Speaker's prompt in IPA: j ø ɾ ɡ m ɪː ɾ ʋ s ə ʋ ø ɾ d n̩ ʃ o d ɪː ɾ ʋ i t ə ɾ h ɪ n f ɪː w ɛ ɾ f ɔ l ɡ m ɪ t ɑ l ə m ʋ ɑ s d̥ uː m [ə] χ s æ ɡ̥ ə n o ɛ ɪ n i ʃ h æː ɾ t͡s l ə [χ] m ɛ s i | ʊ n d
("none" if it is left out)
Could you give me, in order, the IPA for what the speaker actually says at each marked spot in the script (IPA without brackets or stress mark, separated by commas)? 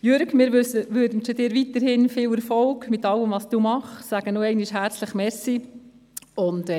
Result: ɑ, χ